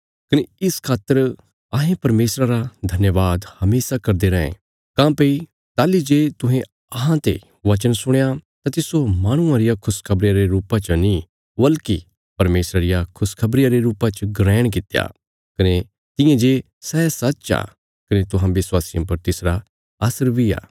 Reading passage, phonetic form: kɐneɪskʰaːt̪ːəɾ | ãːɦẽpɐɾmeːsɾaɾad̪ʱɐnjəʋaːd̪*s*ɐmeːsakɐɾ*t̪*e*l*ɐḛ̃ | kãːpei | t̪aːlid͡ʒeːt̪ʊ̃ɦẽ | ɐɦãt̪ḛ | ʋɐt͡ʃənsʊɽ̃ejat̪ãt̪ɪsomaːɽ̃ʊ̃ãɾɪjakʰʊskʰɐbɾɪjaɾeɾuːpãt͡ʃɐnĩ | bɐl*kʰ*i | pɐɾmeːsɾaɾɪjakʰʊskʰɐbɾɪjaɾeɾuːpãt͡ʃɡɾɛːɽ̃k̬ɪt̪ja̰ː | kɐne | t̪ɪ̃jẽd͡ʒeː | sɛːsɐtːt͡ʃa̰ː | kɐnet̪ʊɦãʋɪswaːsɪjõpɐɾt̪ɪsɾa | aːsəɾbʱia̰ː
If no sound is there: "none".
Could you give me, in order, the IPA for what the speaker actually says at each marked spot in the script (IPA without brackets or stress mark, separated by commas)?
h, d̪, ɾ, k